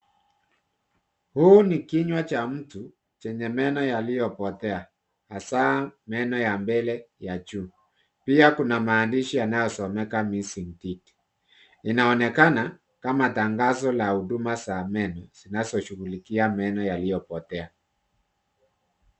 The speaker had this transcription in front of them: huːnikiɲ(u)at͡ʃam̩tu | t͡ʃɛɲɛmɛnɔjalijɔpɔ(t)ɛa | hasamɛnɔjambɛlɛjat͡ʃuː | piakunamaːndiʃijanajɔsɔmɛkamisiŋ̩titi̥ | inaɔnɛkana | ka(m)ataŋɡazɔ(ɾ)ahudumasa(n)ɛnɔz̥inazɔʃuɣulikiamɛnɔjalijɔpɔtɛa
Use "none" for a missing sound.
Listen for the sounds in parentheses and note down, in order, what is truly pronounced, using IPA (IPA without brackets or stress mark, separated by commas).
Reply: w, t, m, l, m